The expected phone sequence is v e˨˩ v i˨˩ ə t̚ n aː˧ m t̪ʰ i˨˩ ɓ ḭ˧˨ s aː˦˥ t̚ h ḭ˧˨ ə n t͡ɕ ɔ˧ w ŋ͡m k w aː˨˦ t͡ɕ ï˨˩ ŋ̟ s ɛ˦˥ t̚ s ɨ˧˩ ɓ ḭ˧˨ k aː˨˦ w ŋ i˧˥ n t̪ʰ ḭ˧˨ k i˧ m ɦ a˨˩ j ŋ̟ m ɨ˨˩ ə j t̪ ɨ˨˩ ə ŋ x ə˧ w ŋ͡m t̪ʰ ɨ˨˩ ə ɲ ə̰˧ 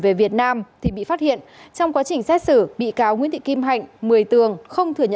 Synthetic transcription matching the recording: v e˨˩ v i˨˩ ə t̚ n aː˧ m t̪ʰ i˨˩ ɓ ḭ˧˨ f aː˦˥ t̚ h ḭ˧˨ ə n t͡ɕ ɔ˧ w ŋ͡m k w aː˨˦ t͡ɕ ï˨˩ ŋ̟ s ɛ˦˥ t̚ s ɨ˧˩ ɓ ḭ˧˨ k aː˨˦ w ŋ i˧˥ n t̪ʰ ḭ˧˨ k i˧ m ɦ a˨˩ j ŋ̟ m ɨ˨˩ ə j t̪ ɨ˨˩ ə ŋ x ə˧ w ŋ͡m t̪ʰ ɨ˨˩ ə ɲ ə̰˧